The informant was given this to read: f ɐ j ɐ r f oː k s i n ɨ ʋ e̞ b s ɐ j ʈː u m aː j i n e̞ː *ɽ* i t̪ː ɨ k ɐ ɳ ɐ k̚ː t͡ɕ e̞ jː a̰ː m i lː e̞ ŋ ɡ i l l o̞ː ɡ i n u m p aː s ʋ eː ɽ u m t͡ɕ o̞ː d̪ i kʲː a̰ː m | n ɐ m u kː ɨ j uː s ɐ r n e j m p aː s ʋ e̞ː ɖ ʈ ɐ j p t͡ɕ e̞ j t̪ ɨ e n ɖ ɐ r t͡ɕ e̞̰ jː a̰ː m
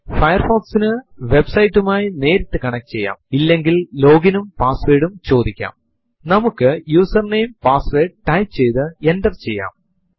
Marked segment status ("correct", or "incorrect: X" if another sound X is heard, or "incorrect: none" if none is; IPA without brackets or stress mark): incorrect: ɾ